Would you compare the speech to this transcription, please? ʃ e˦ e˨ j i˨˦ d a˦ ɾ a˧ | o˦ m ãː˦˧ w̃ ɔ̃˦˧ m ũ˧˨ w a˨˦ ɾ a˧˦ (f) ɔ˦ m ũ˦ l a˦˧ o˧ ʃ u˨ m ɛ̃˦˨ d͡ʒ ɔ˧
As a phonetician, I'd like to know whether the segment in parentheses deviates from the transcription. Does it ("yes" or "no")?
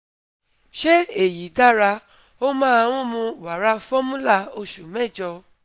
no